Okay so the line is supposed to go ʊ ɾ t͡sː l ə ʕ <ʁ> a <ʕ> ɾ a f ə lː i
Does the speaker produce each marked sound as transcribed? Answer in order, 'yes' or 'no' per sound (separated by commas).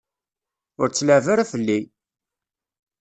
no, no